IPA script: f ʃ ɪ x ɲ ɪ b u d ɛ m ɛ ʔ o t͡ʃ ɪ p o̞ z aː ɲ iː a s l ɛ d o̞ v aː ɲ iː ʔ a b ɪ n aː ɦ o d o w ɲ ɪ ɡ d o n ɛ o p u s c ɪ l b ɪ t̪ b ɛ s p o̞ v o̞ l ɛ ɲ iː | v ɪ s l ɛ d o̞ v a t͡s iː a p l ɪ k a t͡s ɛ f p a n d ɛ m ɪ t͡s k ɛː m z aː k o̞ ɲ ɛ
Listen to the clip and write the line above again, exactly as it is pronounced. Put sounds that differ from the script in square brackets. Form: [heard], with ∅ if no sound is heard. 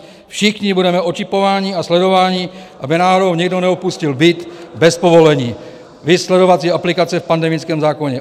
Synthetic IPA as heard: f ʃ ɪ x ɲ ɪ b u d ɛ m ɛ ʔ o t͡ʃ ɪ p o̞ [v] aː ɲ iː a s l ɛ d o̞ v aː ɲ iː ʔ a b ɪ n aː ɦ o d o w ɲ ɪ ɡ d o n ɛ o p u s c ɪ l b ɪ t̪ b ɛ s p o̞ v o̞ l ɛ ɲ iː | v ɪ s l ɛ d o̞ v a t͡s iː a p l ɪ k a t͡s ɛ f p a n d ɛ m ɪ t͡s k ɛː m z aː k o̞ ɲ ɛ